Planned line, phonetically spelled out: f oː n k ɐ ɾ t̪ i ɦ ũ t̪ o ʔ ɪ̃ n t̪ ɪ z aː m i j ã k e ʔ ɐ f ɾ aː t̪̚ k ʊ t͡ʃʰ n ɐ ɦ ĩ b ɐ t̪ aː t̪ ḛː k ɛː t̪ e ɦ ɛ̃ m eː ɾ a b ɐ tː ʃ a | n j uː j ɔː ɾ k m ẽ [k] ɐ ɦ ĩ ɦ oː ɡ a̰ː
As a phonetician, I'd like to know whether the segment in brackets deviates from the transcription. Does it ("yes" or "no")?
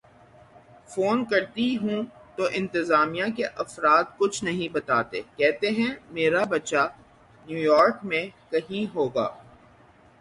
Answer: no